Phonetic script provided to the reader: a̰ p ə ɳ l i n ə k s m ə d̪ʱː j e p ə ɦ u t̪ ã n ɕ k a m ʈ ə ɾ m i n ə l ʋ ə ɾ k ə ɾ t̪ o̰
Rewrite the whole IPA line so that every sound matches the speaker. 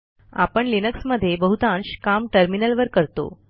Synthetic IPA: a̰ p ə ɳ l i n ə k s m ə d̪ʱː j e b ə ɦ u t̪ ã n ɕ k a m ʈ ə ɾ m i n ə l ʋ ə ɾ k ə ɾ t̪ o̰